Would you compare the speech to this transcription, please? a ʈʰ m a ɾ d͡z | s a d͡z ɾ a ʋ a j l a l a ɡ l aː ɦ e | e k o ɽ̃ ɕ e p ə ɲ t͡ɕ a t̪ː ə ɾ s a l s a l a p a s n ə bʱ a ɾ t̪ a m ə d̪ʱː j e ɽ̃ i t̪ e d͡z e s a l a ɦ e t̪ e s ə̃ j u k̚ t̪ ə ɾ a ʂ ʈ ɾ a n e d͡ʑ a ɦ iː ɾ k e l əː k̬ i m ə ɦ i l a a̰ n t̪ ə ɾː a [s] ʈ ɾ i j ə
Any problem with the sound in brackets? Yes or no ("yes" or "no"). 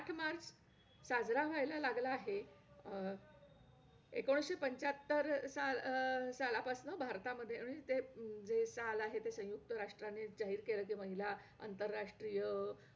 yes